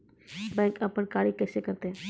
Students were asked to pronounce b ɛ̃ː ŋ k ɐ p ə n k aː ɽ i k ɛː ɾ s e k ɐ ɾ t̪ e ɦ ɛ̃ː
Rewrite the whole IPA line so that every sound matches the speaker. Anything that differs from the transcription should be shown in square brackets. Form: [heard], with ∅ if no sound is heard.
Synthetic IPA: b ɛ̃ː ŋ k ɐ p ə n k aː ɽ i k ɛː [∅] s e k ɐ ɾ t̪ e ɦ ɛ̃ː